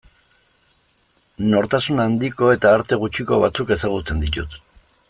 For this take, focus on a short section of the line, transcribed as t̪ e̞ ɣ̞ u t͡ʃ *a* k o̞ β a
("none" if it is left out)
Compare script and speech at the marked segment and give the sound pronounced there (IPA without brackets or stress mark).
i